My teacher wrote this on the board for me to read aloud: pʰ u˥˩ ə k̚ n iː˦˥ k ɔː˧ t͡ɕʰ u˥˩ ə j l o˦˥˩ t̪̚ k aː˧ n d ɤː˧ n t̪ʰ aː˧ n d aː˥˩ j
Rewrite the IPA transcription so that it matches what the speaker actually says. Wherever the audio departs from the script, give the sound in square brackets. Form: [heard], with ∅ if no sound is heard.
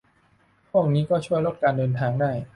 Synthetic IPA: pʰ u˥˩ ə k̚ n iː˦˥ k [ɔː˥˩] t͡ɕʰ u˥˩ ə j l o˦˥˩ t̪̚ k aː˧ n d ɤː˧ n t̪ʰ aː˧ [ŋ] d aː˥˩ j